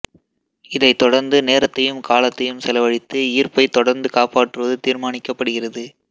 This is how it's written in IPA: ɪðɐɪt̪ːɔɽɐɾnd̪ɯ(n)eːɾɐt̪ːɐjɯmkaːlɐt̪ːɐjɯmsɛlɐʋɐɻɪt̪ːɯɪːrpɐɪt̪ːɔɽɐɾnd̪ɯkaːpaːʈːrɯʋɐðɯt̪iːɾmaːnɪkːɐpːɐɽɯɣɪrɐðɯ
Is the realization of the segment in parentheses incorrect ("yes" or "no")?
no